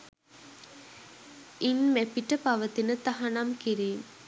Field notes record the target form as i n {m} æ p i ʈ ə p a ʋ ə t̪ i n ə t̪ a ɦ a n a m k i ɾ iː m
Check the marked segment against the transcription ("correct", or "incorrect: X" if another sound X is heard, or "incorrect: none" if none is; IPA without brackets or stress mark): correct